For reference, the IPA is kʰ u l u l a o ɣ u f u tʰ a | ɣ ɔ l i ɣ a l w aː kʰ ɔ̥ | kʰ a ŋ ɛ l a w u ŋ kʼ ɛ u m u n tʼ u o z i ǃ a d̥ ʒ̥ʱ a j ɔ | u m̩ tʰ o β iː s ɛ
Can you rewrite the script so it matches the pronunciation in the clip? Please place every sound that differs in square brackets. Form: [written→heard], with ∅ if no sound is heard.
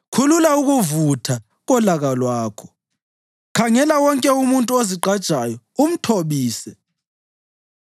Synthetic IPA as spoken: kʰ u l u l a [o→u] ɣ u [f→v] u tʰ a | ɣ ɔ l [i→a] ɣ a l w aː kʰ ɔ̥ | kʰ a ŋ ɛ l a w [u→ɔ] ŋ kʼ ɛ u m u n tʼ u o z i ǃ a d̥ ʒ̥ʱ a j ɔ | u m̩ tʰ o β iː s ɛ